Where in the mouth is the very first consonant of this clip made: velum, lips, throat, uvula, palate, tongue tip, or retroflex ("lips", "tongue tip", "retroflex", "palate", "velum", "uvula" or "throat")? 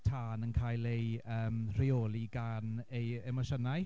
tongue tip